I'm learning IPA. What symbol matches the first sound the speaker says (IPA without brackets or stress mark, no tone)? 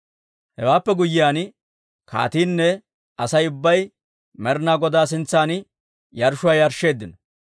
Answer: h